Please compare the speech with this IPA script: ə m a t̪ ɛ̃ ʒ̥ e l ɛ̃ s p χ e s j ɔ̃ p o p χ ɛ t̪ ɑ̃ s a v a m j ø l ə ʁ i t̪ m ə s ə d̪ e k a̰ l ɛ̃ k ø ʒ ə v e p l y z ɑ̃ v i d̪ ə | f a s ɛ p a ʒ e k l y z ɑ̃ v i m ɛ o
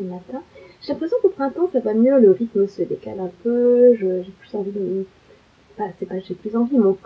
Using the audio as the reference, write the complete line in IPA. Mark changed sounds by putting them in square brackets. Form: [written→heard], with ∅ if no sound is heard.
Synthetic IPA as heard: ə m a t̪ ɛ̃ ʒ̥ e l ɛ̃ [s→∅] p χ e s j ɔ̃ [p→k] o p χ [ɛ→ɛ̃] t̪ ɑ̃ s a v a m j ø l ə ʁ i t̪ m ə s ə d̪ e k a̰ l ɛ̃ [k→p] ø ʒ ə [v→ʒ] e p l y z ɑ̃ v i d̪ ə | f a s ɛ p a ʒ e [k→p] l y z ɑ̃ v i m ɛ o